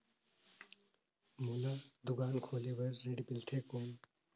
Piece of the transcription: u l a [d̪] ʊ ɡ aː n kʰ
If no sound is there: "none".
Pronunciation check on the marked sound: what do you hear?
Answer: d̪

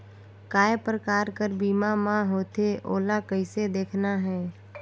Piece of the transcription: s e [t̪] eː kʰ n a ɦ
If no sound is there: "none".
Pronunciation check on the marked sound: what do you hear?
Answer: d̪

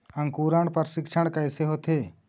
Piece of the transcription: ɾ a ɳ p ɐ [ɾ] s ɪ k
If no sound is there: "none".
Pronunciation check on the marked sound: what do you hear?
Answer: ɾ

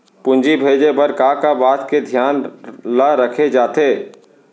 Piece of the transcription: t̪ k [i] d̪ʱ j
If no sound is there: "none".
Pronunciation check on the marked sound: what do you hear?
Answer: e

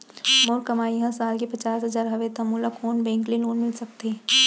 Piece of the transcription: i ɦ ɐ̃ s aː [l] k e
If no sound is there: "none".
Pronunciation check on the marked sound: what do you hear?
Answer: l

